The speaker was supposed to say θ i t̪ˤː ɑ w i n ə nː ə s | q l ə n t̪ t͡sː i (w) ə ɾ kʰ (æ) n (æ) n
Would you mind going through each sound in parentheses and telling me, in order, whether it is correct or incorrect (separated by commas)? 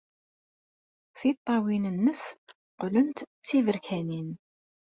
incorrect, correct, incorrect